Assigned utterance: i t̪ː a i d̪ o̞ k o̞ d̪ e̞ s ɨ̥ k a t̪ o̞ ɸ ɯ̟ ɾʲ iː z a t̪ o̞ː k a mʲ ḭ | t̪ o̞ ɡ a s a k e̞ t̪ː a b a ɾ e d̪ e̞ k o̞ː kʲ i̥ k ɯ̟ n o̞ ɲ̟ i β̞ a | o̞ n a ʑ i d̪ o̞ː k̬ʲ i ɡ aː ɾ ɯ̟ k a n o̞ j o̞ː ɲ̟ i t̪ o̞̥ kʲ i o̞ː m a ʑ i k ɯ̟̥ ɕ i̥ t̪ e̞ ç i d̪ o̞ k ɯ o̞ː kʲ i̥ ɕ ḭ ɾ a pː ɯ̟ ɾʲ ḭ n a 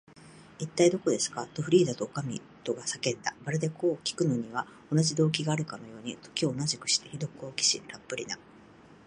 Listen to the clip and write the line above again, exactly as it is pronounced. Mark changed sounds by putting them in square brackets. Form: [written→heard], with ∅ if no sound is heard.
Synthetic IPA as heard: i t̪ː a i d̪ o̞ k o̞ d̪ e̞ s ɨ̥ k a t̪ o̞ ɸ ɯ̟ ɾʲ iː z a t̪ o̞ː k a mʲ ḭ | t̪ o̞ ɡ a s a k e̞ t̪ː a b a ɾ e d̪ e̞ k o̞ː kʲ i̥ k ɯ̟ n o̞ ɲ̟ i β̞ a | o̞ n a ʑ i d̪ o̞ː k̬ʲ i ɡ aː ɾ ɯ̟ k a n o̞ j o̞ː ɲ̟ i t̪ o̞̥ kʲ i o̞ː [m→n] a ʑ i k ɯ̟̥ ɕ i̥ t̪ e̞ ç i d̪ o̞ k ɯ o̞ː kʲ i̥ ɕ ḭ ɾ a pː ɯ̟ ɾʲ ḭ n a

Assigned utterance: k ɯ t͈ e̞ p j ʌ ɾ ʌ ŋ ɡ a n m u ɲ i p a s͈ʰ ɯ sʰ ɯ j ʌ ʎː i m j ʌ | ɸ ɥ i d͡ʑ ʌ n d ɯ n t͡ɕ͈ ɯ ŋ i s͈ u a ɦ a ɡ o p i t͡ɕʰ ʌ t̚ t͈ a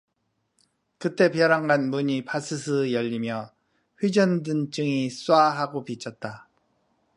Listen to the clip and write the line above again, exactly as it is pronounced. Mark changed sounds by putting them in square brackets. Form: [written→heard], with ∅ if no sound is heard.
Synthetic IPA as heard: k ɯ t͈ e̞ p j ʌ ɾ [ʌ→a] ŋ ɡ a n m u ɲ i p a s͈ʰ ɯ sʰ ɯ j ʌ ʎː i m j ʌ | ɸ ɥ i d͡ʑ ʌ n d ɯ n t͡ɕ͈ ɯ ŋ i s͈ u a ɦ a ɡ o p i t͡ɕʰ ʌ t̚ t͈ a

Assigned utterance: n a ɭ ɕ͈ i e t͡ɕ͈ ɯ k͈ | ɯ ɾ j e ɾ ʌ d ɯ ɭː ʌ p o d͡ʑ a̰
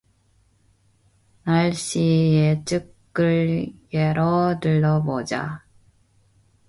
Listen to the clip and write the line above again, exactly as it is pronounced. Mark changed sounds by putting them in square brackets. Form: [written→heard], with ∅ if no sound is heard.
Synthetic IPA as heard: n a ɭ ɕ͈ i e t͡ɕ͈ ɯ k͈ | ɯ [ɾ→ɭ] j e ɾ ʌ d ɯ ɭː ʌ [p→b] o d͡ʑ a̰

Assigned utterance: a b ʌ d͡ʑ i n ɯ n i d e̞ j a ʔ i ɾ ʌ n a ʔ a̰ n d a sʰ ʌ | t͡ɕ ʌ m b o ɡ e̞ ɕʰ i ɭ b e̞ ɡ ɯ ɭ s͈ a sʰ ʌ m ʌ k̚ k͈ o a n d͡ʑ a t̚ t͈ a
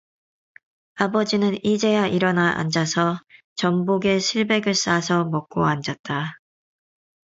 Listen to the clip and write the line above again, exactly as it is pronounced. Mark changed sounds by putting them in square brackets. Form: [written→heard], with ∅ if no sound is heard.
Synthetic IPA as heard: a b ʌ d͡ʑ i n ɯ n i [d→d͡ʑ] e̞ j a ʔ i ɾ ʌ n a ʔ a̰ n [d→d͡ʑ] a sʰ ʌ | t͡ɕ ʌ m b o ɡ e̞ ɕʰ i ɭ b e̞ ɡ ɯ ɭ s͈ a sʰ ʌ m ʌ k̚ k͈ o a n d͡ʑ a t̚ t͈ a

